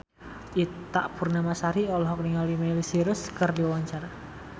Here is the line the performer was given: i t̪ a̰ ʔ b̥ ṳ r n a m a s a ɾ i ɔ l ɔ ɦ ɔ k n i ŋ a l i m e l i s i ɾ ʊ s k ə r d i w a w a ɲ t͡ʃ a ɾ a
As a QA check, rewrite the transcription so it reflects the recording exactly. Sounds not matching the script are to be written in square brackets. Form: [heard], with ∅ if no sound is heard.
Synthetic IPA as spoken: i t̪ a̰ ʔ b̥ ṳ r n a m a s a ɾ i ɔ l ɔ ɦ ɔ k n i ŋ a l i m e l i s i ɾ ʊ s k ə r d i w a w a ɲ t͡ʃ a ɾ a